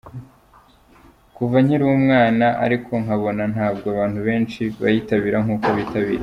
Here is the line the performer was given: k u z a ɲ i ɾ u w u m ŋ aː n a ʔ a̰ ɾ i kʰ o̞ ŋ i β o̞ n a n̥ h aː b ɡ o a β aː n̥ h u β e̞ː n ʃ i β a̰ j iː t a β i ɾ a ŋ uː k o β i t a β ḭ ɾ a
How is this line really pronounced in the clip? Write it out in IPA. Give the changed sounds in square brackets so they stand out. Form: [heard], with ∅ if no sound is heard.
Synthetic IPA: k u [v] a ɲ i ɾ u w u m ŋ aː n a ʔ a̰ ɾ i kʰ o̞ ŋ [a] β o̞ n a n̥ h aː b ɡ o a β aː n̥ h u β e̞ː n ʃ i β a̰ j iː t a β i ɾ a ŋ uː k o β i t a β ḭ ɾ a